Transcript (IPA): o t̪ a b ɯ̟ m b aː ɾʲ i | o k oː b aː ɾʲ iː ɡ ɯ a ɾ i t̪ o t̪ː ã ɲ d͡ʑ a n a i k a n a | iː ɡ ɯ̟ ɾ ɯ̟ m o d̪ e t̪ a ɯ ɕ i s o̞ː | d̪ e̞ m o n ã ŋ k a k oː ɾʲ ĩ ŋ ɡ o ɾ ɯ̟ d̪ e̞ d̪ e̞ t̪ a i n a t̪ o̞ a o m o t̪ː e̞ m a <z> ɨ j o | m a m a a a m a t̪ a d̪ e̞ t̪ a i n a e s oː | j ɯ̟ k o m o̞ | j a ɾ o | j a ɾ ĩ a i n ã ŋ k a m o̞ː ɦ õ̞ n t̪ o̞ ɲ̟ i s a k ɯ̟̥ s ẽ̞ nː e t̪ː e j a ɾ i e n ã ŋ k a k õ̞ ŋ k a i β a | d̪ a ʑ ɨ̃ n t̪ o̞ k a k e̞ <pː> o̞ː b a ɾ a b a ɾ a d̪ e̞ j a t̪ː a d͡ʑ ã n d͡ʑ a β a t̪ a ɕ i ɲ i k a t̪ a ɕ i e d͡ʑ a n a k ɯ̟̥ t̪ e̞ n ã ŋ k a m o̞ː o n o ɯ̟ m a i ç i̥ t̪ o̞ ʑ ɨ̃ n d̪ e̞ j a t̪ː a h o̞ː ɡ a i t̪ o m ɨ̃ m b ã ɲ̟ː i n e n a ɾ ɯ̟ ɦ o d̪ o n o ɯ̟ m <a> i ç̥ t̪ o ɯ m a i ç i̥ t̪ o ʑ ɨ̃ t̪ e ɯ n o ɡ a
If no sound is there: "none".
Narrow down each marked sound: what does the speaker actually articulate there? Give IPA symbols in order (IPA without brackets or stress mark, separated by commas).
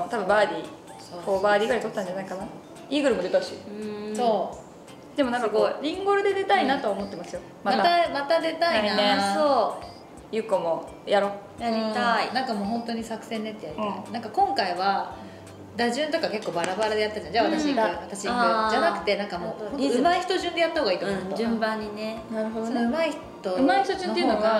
s, kː, a